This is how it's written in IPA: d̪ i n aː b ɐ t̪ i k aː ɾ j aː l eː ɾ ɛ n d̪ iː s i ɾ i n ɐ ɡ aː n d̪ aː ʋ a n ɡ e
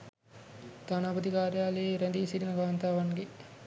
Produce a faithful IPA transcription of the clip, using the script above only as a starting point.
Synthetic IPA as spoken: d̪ a n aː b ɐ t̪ i k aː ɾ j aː l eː ɾ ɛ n d̪ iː s i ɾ i n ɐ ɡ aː n t̪ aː ʋ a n ɡ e